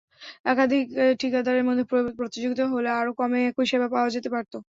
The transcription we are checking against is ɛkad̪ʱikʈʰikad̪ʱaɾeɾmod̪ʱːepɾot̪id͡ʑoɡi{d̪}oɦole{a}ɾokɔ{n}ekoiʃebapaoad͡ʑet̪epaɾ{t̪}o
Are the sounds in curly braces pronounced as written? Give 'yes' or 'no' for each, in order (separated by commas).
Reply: no, yes, no, yes